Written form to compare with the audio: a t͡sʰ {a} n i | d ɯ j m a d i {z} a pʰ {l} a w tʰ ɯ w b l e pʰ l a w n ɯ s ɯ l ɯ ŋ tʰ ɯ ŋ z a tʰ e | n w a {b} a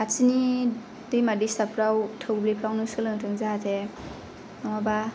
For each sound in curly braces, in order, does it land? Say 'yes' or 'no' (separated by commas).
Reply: no, no, no, yes